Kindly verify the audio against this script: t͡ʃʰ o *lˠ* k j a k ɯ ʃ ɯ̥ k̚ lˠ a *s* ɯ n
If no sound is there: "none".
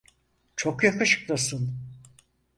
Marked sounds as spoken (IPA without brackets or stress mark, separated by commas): none, s